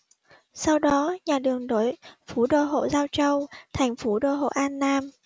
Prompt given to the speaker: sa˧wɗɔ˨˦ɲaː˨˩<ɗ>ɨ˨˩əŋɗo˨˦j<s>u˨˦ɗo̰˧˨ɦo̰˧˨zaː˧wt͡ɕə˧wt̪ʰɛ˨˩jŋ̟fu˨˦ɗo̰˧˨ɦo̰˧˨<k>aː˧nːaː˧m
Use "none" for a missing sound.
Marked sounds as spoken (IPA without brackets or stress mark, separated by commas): ɗ, f, ʔ